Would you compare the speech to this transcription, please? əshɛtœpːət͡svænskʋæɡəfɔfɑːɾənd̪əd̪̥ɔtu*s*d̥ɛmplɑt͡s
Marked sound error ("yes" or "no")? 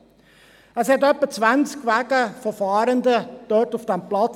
yes